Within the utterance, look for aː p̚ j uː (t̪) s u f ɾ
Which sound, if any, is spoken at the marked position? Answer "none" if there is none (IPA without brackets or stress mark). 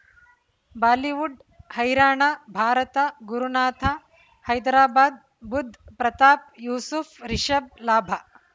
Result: none